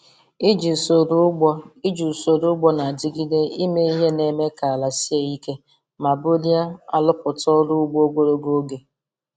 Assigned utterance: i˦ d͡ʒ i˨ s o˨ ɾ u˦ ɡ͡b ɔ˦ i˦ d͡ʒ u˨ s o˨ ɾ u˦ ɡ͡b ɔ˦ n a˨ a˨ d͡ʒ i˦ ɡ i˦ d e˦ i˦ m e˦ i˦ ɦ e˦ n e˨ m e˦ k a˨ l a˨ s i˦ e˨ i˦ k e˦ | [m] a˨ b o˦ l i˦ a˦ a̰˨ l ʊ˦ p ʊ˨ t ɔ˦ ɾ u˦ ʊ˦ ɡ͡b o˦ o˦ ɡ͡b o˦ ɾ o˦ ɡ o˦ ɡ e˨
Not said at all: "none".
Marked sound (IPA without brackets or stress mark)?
m